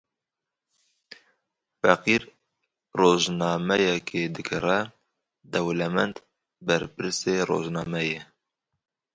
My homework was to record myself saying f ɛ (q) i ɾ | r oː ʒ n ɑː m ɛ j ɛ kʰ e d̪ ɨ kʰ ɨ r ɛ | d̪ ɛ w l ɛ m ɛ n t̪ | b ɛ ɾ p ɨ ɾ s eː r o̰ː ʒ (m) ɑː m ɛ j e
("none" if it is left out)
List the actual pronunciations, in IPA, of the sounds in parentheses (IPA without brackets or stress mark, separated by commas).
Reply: q, n